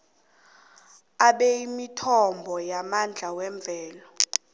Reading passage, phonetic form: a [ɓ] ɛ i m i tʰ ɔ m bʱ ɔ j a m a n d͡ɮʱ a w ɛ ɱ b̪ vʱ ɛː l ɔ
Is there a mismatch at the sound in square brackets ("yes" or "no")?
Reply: no